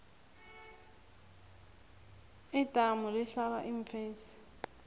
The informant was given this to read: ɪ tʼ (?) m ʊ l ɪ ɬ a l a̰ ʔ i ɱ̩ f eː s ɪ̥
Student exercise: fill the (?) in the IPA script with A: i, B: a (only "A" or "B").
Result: B